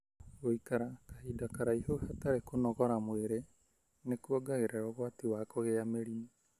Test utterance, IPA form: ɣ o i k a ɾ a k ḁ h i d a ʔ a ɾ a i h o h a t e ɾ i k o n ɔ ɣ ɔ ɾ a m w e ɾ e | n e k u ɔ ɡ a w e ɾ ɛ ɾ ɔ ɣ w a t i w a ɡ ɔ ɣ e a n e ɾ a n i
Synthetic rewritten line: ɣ o i k a ɾ a k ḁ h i d a k a ɾ a i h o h a t a ɾ e k o n ɔ ɣ ɔ ɾ a m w e ɾ e | n e k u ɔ ɡ a ɣ e ɾ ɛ ɾ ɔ ɣ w a t i w a k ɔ ɣ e a m e ɾ i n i

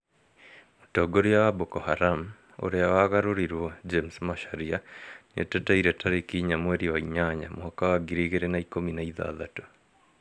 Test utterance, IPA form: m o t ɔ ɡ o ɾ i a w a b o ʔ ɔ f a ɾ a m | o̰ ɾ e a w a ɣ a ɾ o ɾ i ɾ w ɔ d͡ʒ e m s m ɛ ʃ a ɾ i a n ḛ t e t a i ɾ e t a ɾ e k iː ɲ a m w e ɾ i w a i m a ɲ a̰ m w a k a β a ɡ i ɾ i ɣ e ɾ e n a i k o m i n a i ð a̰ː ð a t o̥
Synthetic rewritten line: m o t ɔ ɡ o ɾ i a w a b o k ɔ h a ɾ a m | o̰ ɾ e a w a ɣ a ɾ o ɾ i ɾ w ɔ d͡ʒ e m s m a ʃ a ɾ i a n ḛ t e t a i ɾ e t a ɾ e k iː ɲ a m w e ɾ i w a i ɲ a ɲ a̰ m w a k a w a ɡ i ɾ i ɣ e ɾ e n a i k o m i n a i ð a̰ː ð a t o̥

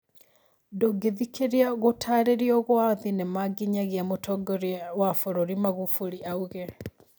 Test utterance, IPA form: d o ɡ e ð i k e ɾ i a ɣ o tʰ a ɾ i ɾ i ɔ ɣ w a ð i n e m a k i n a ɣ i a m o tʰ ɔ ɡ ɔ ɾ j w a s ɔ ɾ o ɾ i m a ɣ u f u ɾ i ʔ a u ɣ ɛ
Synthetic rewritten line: d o ɡ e ð i k e ɾ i a ɣ o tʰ a ɾ e ɾ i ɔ ɣ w a ð i n e m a ɡ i ɲ a ɣ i a m o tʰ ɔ ɡ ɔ ɾ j w a f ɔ ɾ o ɾ i m a ɣ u f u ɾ i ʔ a u ɣ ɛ

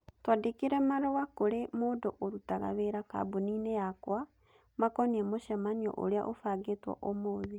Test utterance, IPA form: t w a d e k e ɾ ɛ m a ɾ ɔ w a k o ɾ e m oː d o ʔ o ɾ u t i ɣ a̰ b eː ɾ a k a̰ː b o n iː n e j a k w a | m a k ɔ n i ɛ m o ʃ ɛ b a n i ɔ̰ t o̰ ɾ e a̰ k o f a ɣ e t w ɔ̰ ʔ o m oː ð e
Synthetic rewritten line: t w a d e k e ɾ ɛ m a ɾ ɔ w a k o ɾ e m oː d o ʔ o ɾ u t a ɣ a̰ β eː ɾ a k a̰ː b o n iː n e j a k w a | m a k ɔ n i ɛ m o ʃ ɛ m a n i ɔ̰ ʔ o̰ ɾ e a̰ ʔ o f a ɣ e t w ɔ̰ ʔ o m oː ð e

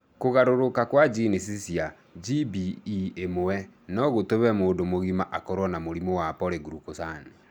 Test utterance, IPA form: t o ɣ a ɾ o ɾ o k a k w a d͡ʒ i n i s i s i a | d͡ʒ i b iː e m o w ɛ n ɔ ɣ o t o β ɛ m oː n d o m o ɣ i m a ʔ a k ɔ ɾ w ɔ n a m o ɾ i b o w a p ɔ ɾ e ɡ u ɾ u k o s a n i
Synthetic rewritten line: k o ɣ a ɾ o ɾ o k a k w a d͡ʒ i n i s i s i a | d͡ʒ i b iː e m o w ɛ n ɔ ɣ o t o β ɛ m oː n d o m o ɣ i m a ʔ a k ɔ ɾ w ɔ n a m o ɾ i m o w a p ɔ ɾ e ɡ u ɾ u k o s a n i

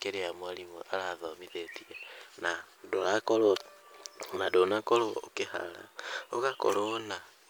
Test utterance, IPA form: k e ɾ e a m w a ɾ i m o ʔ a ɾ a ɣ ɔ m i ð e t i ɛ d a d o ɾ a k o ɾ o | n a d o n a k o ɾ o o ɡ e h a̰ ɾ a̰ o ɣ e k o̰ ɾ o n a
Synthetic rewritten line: k e ɾ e a m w a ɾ i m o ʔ a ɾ a ð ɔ m i ð e t i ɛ n a d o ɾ a k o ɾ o | n a d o n a k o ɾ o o k e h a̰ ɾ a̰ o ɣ a k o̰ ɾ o n a

